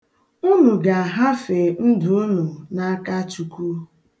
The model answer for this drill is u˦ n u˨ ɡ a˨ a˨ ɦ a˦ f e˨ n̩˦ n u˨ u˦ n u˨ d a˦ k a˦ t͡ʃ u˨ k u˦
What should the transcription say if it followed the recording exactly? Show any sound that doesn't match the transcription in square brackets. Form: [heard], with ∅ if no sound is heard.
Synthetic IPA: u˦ n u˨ ɡ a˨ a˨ ɦ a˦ f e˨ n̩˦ [d] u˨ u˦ n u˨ [n] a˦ k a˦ t͡ʃ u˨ k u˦